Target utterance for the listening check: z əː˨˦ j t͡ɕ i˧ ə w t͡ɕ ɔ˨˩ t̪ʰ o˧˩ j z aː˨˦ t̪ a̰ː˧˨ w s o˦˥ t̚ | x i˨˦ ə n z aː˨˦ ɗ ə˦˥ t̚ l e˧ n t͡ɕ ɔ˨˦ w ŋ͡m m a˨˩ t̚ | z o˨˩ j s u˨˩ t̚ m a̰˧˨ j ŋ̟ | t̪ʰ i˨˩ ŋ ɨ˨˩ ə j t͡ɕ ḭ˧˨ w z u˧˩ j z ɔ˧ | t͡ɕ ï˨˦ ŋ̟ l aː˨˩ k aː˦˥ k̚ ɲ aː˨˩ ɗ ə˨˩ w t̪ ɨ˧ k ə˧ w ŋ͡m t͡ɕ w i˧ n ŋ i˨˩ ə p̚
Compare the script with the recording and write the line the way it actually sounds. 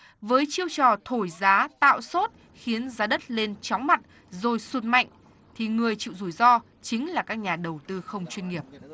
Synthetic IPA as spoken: v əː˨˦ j t͡ɕ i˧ ə w t͡ɕ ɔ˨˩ t̪ʰ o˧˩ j z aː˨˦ t̪ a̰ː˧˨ w s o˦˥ t̚ | x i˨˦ ə n z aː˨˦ ɗ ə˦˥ t̚ l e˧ n t͡ɕ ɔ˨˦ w ŋ͡m m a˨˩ t̚ | z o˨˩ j s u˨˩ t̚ m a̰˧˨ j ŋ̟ | t̪ʰ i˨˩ ŋ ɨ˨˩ ə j t͡ɕ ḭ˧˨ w z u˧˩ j z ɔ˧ | t͡ɕ ï˨˦ ŋ̟ l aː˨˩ k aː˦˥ k̚ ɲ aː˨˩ ɗ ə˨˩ w t̪ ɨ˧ x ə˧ w ŋ͡m t͡ɕ w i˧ n ŋ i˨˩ ə p̚

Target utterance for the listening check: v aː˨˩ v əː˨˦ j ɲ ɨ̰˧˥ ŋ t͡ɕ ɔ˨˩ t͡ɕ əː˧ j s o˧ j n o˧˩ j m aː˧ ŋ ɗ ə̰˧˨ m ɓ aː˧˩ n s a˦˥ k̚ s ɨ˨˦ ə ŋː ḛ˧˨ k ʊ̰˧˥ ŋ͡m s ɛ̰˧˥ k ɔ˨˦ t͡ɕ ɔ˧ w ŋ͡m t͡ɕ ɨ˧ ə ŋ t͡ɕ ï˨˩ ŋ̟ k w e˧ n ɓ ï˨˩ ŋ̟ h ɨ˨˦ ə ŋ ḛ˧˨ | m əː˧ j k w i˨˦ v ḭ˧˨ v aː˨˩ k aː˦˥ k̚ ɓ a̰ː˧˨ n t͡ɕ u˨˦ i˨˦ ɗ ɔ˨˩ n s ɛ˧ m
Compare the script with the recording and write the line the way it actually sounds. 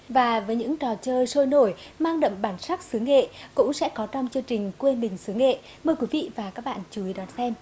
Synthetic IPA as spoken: v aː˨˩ v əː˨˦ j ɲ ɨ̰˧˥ ŋ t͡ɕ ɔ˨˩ t͡ɕ əː˧ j s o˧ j n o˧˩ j m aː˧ ŋ ɗ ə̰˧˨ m ɓ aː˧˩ n s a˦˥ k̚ s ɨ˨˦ ə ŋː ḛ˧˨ k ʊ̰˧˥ ŋ͡m s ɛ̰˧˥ k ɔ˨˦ t͡ɕ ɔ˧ w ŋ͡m t͡ɕ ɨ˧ ə ŋ t͡ɕ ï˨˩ ŋ̟ k w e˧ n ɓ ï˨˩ ŋ̟ s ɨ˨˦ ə ŋ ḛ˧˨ | m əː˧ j k w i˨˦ v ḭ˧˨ v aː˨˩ k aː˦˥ k̚ ɓ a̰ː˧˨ n t͡ɕ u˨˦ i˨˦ ɗ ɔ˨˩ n s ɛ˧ m

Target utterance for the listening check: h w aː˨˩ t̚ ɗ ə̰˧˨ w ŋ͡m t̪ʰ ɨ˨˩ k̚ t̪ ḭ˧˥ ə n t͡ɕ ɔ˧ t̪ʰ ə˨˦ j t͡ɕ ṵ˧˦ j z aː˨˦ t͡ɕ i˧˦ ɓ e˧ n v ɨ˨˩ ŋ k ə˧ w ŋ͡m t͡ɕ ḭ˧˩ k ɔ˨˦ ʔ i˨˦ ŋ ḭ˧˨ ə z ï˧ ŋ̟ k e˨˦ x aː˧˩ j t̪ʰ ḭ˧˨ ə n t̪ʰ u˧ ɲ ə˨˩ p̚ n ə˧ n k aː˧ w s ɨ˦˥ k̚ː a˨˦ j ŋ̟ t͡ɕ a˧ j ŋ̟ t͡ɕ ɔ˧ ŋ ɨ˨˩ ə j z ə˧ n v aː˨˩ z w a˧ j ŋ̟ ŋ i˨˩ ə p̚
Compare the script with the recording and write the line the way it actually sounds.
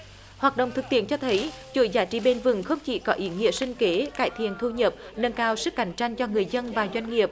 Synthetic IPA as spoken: h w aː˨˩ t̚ ɗ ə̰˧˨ w ŋ͡m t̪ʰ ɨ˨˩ k̚ t̪ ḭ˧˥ ə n t͡ɕ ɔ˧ t̪ʰ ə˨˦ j t͡ɕ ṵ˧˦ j z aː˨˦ t͡ɕ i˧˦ ɓ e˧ n v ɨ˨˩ ŋ x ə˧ w ŋ͡m t͡ɕ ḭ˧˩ k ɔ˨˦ ʔ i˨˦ ŋ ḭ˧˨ ə s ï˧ ŋ̟ k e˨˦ k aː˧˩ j t̪ʰ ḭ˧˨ ə n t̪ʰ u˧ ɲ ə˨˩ p̚ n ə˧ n k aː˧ w s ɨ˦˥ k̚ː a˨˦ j ŋ̟ t͡ɕ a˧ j ŋ̟ t͡ɕ ɔ˧ ŋ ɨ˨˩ ə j z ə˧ n v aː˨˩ z w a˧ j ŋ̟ ŋ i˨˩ ə p̚

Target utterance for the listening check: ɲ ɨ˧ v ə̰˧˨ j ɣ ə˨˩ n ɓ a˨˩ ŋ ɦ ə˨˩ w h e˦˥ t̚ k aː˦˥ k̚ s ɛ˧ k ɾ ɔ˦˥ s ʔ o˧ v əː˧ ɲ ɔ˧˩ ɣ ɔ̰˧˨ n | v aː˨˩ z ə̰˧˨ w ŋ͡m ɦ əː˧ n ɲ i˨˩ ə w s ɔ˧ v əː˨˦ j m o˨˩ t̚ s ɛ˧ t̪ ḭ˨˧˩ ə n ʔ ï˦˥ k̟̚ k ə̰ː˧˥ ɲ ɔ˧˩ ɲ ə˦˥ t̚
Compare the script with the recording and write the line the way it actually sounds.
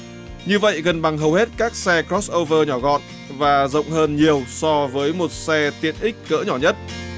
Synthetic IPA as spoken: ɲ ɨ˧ v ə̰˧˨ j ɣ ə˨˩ n ɓ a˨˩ ŋ ɦ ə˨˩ w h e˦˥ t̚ k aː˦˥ k̚ s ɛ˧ k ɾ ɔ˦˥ s ʔ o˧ v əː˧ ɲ ɔ˧˩ ɣ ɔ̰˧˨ n | v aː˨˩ z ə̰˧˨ w ŋ͡m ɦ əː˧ n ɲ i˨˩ ə w s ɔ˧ v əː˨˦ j m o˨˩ t̚ s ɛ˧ t̪ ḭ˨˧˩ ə n ʔ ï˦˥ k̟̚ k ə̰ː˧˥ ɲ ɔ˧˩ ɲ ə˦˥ t̚

